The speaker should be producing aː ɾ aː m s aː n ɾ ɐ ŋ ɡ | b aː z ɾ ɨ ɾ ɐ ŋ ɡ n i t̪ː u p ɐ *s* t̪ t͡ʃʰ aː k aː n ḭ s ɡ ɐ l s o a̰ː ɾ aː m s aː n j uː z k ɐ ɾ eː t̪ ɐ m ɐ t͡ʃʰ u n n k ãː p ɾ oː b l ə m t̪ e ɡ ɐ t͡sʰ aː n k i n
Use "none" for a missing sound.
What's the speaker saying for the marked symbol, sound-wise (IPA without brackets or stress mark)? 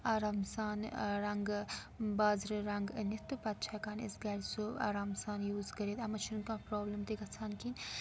none